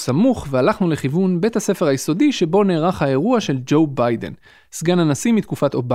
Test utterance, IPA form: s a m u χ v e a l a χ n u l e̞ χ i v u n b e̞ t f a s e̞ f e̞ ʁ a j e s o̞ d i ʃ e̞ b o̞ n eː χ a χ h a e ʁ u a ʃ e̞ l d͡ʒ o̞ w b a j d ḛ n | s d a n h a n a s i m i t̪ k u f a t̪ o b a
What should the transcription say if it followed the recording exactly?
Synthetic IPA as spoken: s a m u χ v e a l a χ n u l e̞ χ i v u n b e̞ t h a s e̞ f e̞ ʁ a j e s o̞ d i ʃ e̞ b o̞ n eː ʁ a χ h a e ʁ u a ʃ e̞ l d͡ʒ o̞ w b a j d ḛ n | s ɡ a n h a n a s i m i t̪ k u f a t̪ o b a